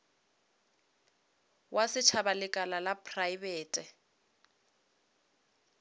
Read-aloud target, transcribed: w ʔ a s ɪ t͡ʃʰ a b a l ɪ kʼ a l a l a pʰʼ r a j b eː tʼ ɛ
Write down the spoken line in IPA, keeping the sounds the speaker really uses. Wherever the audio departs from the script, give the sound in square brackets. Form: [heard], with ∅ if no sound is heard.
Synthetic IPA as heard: w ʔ a s ɪ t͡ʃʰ a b a l ɪ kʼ a l a l a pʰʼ r a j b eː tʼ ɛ